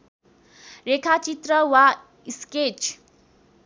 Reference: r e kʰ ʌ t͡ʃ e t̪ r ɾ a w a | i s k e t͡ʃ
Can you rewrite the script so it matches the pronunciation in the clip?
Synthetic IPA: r e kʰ a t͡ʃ i t̪ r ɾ ʌ w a | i s k e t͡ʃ